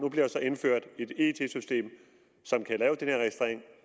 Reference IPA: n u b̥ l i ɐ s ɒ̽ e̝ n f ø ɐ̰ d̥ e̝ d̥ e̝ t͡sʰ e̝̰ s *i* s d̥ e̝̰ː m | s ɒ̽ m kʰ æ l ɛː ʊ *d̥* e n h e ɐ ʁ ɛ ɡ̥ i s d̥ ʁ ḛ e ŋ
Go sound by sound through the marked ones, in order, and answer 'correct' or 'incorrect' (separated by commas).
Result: incorrect, correct